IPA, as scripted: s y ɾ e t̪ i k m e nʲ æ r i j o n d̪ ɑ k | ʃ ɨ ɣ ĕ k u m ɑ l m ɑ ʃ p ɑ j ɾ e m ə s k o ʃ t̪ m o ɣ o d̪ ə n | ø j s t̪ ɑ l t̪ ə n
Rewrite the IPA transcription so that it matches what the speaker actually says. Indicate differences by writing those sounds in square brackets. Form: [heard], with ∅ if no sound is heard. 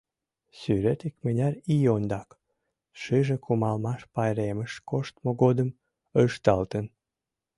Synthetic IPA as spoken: s y ɾ e t̪ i k m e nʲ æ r i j o n d̪ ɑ k | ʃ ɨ [ʒ] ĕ k u m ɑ l m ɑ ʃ p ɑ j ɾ e m ə [ʃ] k o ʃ t̪ m o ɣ o d̪ ə [m] | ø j [ʃ] t̪ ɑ l t̪ ə n